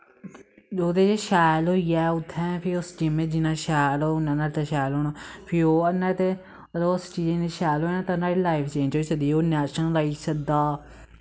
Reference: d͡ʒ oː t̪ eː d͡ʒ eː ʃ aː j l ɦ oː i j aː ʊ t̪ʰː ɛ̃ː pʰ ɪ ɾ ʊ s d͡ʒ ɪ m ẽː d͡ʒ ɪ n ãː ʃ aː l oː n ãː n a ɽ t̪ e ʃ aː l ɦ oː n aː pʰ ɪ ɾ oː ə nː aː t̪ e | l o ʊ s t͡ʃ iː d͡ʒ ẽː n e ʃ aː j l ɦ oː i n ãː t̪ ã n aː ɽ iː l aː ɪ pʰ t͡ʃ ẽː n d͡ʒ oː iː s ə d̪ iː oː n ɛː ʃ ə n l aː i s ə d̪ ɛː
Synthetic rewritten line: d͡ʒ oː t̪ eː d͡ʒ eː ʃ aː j l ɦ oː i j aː ʊ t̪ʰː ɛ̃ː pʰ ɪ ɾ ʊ s d͡ʒ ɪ m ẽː d͡ʒ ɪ n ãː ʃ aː l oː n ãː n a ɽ t̪ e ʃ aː l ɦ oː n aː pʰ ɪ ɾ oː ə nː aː t̪ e | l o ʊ s t͡ʃ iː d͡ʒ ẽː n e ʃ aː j l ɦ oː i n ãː t̪ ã n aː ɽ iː l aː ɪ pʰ t͡ʃ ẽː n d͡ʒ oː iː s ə d̪ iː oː n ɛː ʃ ə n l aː i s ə d̪ aː